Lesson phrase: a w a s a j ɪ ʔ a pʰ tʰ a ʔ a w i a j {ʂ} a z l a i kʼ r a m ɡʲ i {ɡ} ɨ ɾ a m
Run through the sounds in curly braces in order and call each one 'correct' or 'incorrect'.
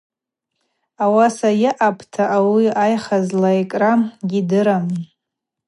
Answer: incorrect: χ, incorrect: d

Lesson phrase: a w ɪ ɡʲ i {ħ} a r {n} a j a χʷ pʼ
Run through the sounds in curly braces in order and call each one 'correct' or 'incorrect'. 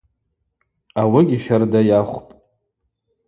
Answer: incorrect: ʃ, incorrect: d

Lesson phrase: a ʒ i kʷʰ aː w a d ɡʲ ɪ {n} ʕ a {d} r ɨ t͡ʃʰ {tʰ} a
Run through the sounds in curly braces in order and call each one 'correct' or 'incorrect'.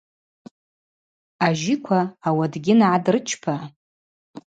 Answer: correct, correct, incorrect: pʰ

